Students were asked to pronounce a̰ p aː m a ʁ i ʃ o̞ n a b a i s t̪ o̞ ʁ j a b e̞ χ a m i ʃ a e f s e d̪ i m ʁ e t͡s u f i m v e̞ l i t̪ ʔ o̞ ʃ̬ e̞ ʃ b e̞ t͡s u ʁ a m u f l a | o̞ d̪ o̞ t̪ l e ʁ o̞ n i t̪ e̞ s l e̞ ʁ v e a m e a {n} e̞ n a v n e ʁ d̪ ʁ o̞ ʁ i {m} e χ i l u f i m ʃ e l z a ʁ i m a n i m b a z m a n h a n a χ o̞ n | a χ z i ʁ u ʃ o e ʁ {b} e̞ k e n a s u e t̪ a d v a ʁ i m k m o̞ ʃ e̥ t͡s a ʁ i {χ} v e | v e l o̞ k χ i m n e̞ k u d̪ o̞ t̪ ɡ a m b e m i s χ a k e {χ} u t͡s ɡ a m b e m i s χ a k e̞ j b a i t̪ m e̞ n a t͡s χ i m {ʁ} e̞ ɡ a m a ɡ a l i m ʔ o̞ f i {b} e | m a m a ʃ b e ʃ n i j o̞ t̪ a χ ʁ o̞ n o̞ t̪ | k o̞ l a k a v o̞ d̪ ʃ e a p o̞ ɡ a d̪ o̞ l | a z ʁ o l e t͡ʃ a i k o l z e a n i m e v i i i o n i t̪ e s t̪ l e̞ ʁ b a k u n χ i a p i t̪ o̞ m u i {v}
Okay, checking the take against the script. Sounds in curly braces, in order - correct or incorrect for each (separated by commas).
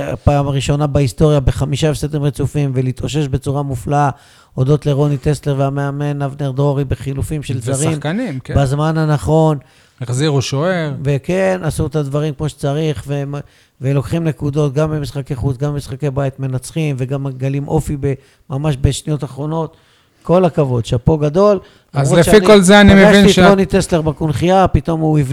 incorrect, incorrect, incorrect, correct, correct, incorrect, correct, correct